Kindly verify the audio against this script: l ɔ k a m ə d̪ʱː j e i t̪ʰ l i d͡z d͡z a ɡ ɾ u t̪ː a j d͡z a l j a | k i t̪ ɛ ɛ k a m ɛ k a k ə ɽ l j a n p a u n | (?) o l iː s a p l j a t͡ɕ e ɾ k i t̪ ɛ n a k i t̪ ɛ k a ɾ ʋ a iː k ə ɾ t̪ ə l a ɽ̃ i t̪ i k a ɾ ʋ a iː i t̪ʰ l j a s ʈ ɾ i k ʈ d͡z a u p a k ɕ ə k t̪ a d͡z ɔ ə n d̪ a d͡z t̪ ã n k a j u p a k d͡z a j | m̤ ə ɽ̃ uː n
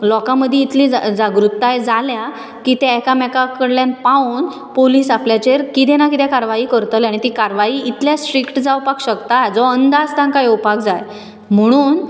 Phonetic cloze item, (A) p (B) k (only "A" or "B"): A